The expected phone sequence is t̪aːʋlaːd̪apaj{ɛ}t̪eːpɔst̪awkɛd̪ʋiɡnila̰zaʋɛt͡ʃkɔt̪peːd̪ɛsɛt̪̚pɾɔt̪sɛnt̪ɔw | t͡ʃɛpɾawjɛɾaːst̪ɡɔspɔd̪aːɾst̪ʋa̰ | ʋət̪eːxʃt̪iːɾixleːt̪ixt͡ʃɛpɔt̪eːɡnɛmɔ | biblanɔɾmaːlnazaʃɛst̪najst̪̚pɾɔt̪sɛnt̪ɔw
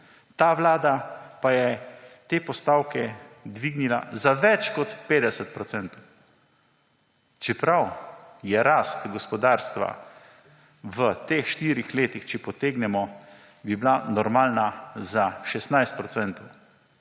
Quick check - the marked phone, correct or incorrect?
correct